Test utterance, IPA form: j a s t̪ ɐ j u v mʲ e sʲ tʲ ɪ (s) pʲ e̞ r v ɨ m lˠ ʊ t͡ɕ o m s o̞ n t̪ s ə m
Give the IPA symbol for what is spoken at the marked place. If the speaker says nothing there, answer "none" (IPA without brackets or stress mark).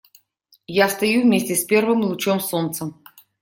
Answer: s